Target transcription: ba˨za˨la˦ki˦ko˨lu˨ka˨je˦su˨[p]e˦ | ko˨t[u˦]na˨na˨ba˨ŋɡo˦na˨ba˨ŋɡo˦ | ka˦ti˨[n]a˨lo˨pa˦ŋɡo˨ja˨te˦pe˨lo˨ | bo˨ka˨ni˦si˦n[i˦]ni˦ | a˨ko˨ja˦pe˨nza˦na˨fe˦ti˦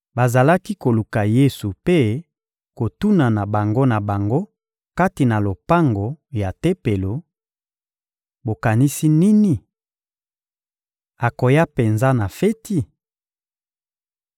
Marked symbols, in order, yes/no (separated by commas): yes, yes, yes, yes